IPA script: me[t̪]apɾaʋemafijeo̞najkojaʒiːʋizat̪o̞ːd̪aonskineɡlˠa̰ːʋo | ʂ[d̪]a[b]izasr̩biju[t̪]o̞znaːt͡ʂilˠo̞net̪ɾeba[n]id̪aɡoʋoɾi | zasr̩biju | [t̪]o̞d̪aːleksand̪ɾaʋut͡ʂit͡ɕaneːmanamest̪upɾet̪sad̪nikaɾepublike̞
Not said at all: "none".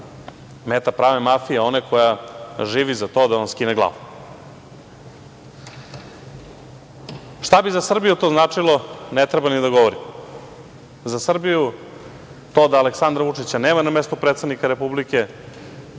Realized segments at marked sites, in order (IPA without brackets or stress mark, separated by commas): t̪, t̪, b, t̪, n, t̪